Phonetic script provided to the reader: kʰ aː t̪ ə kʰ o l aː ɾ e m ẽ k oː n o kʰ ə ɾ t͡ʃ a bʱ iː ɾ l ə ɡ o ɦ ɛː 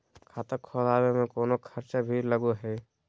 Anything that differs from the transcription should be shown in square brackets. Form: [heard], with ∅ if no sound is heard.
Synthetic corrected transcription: kʰ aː t̪ ə kʰ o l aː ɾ e m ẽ k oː n o kʰ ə ɾ t͡ʃ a bʱ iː ɾ l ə ɡ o ɦ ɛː